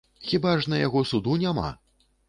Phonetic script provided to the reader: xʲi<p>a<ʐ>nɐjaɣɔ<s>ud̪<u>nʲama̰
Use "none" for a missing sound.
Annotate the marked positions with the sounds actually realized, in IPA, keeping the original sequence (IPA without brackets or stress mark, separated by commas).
b, ʐ, s, u